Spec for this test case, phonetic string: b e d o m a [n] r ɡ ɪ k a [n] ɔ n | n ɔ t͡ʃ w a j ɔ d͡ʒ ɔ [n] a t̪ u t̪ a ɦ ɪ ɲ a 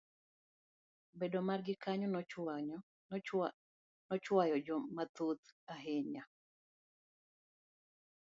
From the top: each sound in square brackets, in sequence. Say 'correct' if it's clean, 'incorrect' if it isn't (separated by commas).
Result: incorrect, incorrect, incorrect